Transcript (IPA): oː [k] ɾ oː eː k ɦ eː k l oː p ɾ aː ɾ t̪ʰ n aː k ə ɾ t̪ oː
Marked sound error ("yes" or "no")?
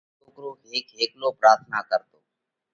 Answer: no